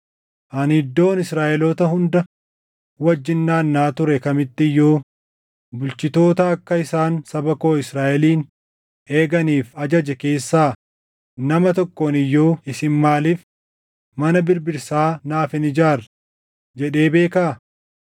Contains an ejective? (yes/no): no